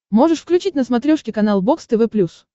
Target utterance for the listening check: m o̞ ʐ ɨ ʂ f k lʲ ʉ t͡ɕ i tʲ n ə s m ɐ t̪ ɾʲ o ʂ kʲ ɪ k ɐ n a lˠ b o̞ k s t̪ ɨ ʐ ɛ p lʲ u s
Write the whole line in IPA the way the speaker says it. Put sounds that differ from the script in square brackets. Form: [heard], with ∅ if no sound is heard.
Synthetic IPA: m o̞ ʐ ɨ ʂ f k lʲ ʉ t͡ɕ i tʲ n ə s m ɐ t̪ ɾʲ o ʂ kʲ ɪ k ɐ n a lˠ b o̞ k s t̪ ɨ [v] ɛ p lʲ u s